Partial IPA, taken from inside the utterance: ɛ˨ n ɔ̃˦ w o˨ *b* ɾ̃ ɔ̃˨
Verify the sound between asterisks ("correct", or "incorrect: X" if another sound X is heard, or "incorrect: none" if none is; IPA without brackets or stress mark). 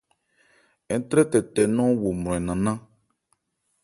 incorrect: m